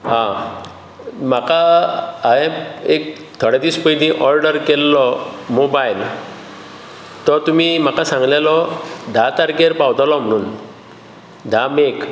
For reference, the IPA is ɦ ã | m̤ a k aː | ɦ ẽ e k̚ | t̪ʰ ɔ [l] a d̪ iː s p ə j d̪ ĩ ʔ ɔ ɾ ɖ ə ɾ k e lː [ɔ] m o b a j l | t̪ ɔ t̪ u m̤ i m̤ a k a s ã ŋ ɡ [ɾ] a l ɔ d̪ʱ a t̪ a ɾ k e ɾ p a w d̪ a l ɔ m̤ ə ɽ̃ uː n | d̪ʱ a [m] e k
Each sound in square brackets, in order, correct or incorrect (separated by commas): incorrect, correct, incorrect, correct